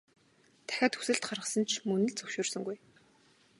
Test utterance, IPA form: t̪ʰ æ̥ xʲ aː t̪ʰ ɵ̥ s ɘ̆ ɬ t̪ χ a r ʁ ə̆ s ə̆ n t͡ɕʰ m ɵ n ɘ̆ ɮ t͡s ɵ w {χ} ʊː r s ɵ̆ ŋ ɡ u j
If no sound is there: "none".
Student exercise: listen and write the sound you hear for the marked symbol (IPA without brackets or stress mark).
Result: ʃ